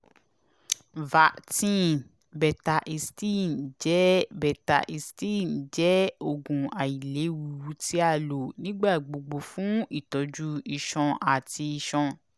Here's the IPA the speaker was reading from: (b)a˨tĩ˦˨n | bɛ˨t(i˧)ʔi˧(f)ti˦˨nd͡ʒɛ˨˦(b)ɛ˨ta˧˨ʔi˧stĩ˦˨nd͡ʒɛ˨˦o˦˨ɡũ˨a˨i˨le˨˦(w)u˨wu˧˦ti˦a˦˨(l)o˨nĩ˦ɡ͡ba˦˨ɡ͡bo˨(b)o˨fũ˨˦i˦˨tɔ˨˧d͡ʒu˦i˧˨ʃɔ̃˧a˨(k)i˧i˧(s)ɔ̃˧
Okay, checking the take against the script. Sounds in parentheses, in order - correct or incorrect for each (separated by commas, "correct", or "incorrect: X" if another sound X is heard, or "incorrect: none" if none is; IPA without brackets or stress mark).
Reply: incorrect: v, incorrect: a˧, incorrect: s, correct, correct, correct, incorrect: ɡ͡b, incorrect: t, incorrect: ʃ